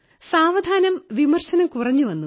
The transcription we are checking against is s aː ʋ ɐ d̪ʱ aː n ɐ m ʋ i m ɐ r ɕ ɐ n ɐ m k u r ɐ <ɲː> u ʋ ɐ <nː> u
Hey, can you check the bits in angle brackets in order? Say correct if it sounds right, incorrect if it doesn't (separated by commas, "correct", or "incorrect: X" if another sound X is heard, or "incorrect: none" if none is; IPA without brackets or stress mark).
correct, correct